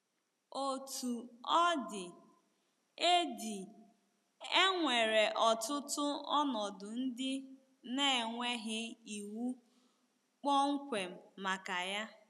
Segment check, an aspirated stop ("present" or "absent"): absent